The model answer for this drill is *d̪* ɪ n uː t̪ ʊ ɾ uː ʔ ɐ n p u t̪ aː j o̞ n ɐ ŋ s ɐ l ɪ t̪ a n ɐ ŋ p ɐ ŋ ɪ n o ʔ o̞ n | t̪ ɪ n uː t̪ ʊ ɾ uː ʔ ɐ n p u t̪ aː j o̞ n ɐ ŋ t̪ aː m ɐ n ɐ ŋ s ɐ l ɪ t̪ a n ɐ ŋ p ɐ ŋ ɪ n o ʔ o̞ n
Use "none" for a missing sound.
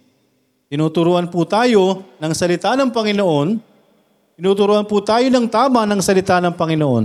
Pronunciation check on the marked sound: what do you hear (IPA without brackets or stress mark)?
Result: t̪